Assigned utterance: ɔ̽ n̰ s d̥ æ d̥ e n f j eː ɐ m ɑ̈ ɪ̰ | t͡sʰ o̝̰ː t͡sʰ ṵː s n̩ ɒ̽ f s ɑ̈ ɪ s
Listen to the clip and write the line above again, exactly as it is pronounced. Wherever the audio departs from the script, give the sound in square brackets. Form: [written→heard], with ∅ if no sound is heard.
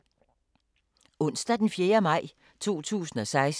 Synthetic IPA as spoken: ɔ̽ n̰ s d̥ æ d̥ e n f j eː ɐ m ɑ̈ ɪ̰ | t͡sʰ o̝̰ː t͡sʰ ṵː s n̩ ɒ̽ [f→∅] s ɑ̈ ɪ s